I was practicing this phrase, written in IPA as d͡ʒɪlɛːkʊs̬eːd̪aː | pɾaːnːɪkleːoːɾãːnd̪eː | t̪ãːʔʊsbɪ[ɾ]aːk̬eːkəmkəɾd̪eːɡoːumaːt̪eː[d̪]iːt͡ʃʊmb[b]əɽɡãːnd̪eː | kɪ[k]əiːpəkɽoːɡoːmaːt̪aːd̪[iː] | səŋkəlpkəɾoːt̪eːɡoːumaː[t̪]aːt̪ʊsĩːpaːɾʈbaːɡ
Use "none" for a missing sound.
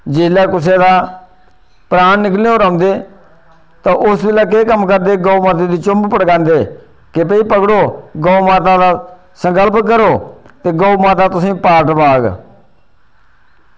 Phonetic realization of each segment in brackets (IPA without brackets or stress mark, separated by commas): l, d̪, p, p, aː, t̪